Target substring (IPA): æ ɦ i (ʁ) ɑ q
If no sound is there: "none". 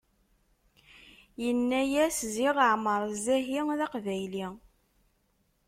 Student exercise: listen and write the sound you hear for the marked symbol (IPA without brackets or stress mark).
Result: ð